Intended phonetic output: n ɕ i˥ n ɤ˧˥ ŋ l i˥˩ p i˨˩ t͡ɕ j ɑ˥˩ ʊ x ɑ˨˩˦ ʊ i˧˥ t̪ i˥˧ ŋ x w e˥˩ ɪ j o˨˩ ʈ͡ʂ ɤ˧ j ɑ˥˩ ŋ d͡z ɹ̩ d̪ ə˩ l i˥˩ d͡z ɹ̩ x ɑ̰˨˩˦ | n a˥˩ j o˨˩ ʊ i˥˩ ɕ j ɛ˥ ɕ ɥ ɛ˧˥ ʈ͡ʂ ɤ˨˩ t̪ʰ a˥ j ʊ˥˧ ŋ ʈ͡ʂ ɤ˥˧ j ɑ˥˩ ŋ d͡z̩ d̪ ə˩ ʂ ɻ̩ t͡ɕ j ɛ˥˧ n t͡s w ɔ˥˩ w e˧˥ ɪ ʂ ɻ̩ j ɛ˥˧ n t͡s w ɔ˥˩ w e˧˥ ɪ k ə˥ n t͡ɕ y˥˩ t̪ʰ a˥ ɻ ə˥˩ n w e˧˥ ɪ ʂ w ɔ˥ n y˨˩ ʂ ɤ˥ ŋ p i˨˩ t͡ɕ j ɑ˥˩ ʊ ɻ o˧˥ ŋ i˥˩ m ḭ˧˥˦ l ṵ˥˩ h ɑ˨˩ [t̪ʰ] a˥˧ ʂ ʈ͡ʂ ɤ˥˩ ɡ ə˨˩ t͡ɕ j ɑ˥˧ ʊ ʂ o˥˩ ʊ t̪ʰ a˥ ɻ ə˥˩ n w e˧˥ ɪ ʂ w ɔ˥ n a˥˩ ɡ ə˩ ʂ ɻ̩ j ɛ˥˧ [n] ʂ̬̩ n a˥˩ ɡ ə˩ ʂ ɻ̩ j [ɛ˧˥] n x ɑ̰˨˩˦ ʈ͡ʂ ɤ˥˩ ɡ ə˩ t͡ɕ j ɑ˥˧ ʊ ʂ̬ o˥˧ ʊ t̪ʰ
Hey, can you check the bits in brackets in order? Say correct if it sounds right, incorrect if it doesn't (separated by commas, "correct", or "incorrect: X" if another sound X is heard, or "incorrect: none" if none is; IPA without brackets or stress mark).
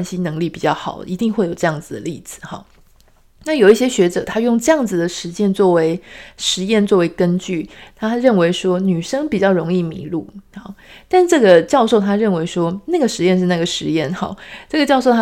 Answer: incorrect: t̪, correct, incorrect: ɛ˥˩